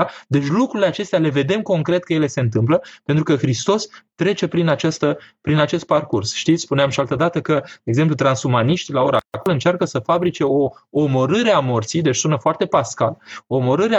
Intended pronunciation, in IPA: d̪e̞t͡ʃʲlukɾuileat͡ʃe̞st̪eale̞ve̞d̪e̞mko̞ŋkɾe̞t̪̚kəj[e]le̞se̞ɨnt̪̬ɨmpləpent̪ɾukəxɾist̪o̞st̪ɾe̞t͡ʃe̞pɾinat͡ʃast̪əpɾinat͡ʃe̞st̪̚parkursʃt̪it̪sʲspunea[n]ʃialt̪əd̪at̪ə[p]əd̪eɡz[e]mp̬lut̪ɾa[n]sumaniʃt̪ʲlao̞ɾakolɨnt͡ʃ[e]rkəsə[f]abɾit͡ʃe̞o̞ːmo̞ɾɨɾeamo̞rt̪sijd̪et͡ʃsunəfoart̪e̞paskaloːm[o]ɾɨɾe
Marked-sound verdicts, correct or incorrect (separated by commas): correct, incorrect, incorrect, correct, correct, incorrect, correct, correct